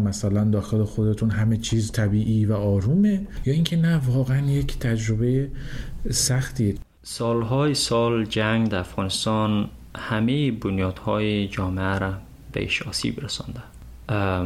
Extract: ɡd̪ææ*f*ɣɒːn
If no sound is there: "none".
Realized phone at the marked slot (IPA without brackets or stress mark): f